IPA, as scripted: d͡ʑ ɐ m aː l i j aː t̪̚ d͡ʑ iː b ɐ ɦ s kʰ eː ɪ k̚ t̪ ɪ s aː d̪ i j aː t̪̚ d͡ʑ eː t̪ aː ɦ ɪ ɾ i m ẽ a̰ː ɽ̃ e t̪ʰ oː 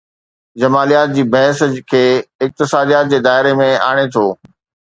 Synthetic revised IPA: d͡ʑ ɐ m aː l i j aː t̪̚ d͡ʑ iː b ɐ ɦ s kʰ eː ɪ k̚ t̪ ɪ s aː d̪ i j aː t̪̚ d͡ʑ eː d̪ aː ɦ ɪ ɾ e m ẽ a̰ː ɽ̃ e t̪ʰ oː